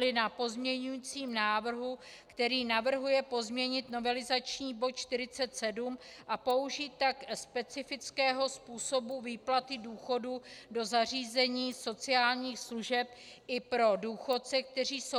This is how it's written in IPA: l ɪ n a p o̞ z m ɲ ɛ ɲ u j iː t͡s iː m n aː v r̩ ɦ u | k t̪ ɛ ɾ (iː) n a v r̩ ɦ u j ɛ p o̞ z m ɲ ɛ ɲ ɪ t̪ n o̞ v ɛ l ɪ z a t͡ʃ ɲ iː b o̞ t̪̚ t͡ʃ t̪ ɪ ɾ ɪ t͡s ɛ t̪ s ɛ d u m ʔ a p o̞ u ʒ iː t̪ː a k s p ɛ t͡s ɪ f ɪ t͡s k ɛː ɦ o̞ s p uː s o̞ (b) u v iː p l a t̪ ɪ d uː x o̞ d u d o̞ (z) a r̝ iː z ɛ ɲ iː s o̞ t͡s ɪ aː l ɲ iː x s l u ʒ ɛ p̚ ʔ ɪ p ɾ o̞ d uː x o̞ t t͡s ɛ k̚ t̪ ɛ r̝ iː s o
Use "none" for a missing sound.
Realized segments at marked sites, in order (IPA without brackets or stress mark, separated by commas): iː, b, z